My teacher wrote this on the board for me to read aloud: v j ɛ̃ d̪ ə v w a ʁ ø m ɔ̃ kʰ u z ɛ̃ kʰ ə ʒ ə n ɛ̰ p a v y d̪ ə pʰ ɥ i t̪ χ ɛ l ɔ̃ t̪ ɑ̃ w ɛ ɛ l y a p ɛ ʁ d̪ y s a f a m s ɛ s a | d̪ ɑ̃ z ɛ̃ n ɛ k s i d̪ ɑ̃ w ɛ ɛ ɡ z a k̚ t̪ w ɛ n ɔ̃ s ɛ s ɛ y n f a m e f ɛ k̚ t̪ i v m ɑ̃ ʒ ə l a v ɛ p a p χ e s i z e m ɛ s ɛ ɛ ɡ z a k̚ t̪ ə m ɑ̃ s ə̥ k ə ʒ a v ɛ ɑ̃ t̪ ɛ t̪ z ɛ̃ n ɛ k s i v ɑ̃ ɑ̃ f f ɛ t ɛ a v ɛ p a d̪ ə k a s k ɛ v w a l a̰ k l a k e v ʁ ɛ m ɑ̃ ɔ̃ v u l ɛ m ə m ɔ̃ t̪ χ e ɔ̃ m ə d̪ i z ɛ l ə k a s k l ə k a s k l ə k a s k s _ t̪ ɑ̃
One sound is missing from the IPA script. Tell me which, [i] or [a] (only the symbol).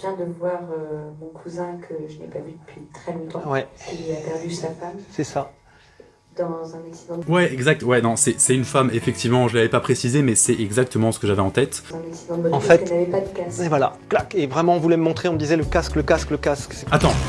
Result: a